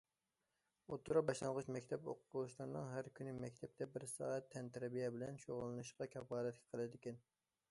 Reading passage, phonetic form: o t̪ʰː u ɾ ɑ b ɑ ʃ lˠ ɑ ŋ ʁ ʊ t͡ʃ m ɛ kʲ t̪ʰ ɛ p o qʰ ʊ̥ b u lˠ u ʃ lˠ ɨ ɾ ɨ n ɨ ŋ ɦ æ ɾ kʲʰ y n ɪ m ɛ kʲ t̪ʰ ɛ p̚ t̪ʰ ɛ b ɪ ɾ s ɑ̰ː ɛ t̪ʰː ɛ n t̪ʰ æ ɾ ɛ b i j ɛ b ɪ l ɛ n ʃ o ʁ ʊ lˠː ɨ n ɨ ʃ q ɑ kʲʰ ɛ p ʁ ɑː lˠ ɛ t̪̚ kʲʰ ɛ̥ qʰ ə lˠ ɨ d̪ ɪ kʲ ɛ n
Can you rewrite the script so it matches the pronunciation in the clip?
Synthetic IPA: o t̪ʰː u ɾ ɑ b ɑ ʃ lˠ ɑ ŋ ʁ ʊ t͡ʃ m ɛ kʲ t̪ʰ ɛ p o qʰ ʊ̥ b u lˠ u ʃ lˠ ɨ ɾ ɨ n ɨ ŋ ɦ æ ɾ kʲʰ y n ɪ m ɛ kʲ t̪ʰ ɛ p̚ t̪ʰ ɛ b ɪ ɾ s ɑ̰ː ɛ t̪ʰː ɛ n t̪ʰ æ ɾ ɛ b i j ɛ b ɪ l ɛ n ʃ o ʁ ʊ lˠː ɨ n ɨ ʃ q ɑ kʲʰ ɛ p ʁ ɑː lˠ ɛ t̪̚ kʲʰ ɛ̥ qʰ ə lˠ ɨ d̪ ɪ kʲ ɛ n